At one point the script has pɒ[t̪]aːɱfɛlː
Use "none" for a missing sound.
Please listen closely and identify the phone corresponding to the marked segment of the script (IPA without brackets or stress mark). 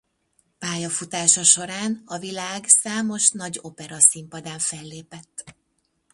d̪